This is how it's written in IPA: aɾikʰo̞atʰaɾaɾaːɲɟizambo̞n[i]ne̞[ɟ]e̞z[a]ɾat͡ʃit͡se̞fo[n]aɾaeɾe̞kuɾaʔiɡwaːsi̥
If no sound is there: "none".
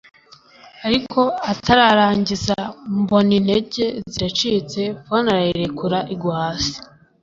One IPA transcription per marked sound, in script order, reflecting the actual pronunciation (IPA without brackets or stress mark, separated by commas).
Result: i, ɟ, i, n